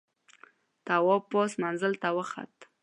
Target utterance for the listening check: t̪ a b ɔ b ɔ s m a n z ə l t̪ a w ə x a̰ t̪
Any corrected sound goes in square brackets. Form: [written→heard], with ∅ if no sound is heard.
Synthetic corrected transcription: t̪ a [b→w] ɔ [b→p] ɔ s m a n z ə l t̪ a w ə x a̰ t̪